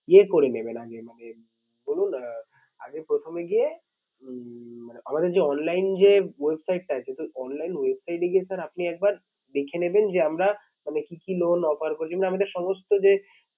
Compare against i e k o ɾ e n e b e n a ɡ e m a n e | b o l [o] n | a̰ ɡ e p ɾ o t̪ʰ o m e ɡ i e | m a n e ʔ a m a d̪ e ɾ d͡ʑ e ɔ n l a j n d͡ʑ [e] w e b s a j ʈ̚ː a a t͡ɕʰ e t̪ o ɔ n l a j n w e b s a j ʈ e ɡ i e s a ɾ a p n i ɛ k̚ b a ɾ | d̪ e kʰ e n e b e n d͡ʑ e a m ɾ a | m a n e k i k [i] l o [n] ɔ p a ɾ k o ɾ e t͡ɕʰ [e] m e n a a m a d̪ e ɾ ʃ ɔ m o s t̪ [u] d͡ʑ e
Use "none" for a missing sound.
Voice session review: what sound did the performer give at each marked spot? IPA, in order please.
u, e, i, n, i, o

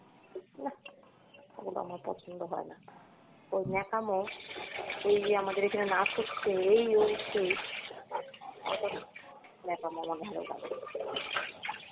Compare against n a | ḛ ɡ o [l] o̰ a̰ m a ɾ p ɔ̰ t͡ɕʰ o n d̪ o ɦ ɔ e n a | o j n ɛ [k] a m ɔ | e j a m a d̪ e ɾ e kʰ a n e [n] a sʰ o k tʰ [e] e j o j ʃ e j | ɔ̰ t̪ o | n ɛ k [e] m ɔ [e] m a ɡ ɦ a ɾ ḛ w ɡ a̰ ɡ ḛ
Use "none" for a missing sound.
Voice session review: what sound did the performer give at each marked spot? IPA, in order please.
l, k, n, e, a, a

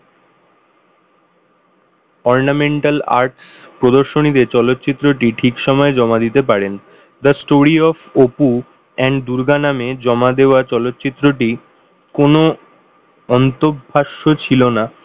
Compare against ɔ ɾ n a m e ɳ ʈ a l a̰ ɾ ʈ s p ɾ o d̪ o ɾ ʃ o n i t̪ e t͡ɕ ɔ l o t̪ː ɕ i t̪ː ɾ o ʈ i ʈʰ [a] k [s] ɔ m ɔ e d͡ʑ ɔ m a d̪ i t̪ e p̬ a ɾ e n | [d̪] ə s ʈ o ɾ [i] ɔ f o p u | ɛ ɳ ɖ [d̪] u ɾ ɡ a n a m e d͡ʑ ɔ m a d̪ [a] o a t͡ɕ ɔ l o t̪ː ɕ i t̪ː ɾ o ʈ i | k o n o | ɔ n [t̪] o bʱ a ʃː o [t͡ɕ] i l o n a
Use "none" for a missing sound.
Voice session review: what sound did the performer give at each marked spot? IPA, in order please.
i, ʃ, d̪, i, d̪, e, t̪, t͡ɕʰ

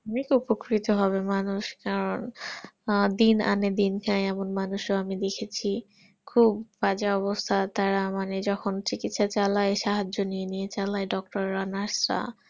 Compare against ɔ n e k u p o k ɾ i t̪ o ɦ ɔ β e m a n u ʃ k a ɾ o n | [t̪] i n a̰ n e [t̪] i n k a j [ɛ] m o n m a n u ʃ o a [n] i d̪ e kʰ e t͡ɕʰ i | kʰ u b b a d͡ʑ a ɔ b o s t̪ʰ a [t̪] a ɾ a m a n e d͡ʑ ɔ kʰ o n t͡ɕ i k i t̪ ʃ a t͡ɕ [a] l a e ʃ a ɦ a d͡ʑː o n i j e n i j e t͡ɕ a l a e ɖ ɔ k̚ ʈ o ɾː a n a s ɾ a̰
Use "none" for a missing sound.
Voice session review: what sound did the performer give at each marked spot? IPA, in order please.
d̪, d̪, ɛ, m, t̪, a

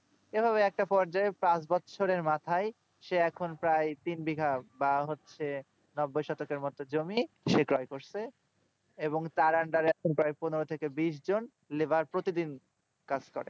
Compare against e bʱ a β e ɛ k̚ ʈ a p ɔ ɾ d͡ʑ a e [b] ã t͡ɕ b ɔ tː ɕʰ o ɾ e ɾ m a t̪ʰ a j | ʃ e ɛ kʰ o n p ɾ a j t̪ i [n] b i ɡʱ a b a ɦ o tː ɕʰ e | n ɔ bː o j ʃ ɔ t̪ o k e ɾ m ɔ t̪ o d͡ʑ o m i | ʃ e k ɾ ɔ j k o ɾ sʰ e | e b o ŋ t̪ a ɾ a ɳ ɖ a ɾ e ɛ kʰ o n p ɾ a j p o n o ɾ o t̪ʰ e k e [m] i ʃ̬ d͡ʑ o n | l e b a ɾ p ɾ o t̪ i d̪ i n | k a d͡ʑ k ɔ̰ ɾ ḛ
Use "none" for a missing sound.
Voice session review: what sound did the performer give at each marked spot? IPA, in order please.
p, n, b

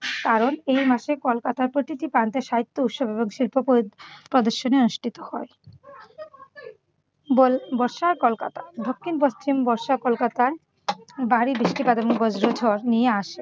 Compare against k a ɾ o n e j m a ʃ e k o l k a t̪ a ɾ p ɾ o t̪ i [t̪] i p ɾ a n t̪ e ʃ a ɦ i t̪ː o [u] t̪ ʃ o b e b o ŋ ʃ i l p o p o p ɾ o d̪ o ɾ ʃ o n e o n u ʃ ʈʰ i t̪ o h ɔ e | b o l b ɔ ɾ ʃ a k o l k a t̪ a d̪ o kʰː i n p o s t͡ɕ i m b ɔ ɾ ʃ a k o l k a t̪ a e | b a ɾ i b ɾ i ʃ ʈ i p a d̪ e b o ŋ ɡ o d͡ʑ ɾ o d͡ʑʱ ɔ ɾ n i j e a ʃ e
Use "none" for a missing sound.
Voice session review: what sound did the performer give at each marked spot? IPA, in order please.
t̪, u

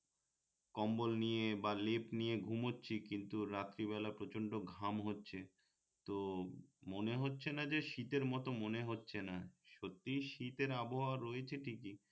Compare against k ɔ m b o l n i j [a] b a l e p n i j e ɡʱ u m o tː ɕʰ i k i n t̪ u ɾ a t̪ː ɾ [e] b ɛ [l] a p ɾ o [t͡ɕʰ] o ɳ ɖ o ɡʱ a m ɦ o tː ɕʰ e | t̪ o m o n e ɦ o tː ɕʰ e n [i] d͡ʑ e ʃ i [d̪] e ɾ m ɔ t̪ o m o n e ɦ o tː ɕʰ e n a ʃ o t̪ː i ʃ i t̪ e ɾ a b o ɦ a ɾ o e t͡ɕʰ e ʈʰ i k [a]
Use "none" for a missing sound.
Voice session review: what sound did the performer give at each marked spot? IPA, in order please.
e, i, l, t͡ɕ, a, t̪, i

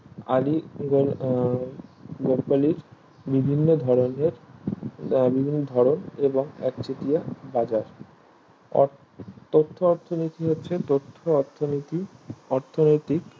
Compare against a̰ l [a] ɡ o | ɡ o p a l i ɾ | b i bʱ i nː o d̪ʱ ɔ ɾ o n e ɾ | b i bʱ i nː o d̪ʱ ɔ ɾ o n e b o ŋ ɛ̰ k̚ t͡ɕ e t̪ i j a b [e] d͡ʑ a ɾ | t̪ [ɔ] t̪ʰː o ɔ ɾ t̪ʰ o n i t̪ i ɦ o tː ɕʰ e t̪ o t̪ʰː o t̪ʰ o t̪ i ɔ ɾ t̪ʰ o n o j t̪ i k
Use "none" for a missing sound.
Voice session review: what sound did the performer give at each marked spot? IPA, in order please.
i, a, o

